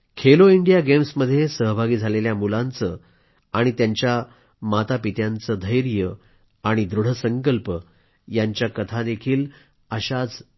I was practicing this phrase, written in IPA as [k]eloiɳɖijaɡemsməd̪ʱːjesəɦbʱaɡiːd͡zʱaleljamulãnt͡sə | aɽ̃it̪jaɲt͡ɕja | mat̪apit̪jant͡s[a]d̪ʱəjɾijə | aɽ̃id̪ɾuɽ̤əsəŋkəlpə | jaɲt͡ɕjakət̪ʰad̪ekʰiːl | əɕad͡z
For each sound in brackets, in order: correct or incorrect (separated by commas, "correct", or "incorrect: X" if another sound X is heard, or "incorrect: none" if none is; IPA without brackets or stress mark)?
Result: incorrect: kʰ, incorrect: ə